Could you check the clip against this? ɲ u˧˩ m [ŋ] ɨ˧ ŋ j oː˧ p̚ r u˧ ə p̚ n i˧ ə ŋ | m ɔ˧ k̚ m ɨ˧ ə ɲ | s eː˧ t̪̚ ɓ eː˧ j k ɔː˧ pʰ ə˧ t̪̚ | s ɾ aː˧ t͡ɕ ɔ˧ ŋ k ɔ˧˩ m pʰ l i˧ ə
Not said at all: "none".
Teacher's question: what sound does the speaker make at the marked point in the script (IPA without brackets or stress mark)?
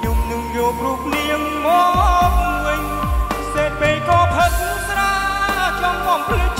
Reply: n